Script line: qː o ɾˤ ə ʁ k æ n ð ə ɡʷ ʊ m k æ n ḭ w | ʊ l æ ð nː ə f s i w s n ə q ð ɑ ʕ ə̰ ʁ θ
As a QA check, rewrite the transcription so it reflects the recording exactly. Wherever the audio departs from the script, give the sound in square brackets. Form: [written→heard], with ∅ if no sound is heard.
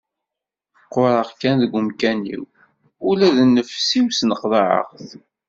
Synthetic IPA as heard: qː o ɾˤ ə ʁ k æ n ð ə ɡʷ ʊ m k æ n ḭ w | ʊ l æ ð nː ə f s i w s n ə q ð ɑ ʕ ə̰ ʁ θ